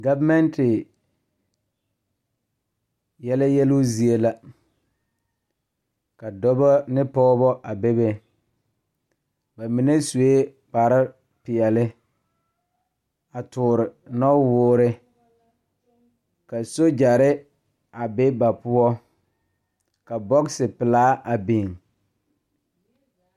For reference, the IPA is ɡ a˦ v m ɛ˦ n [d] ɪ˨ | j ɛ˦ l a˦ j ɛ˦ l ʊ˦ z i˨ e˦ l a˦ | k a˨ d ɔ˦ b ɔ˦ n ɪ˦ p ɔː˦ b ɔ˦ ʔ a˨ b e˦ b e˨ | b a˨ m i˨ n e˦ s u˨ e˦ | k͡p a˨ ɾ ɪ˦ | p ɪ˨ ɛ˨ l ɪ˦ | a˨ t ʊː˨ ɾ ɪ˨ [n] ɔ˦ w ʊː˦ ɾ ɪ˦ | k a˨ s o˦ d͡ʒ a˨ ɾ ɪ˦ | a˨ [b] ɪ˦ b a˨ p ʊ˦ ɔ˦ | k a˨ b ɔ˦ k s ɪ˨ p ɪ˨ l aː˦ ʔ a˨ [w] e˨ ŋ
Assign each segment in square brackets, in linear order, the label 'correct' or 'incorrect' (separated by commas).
incorrect, correct, correct, incorrect